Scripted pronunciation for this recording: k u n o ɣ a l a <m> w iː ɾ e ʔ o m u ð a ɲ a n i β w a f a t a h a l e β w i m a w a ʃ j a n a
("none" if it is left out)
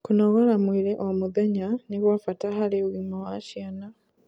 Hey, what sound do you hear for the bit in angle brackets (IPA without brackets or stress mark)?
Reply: m